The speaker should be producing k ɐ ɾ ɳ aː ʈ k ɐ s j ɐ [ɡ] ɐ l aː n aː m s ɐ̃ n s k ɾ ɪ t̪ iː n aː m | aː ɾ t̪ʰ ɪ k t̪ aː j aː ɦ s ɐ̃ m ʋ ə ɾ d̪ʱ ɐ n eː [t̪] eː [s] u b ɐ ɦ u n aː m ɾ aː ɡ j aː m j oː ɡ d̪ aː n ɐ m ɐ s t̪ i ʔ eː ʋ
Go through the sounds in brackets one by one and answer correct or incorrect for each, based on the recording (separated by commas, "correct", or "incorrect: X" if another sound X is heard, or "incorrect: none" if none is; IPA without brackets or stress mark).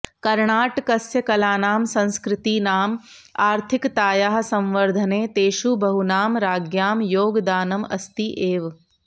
incorrect: k, correct, incorrect: ʃ